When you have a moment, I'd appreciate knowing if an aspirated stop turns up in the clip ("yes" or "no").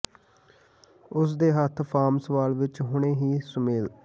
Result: yes